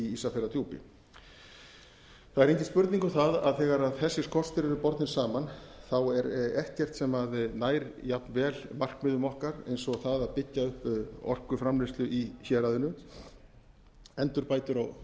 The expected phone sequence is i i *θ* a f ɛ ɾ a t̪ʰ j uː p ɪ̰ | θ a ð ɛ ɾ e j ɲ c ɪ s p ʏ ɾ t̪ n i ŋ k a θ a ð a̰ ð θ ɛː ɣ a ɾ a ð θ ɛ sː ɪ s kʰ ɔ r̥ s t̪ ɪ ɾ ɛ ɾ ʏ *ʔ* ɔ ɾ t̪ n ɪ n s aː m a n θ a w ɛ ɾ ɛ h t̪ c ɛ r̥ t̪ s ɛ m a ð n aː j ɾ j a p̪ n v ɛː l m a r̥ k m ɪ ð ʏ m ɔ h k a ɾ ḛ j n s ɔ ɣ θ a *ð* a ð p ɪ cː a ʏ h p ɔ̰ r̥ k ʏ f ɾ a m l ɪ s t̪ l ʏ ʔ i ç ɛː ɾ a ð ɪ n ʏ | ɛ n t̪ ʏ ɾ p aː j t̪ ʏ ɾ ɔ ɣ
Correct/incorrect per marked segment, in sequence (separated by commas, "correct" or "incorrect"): incorrect, incorrect, correct